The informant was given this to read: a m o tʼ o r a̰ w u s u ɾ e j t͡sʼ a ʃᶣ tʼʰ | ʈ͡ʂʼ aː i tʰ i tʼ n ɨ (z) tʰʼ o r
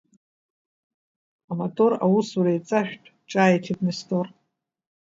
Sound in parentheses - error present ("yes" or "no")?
yes